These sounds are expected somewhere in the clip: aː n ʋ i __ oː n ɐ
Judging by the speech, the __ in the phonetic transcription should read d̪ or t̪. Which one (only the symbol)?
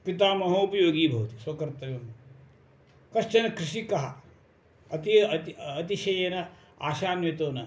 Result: t̪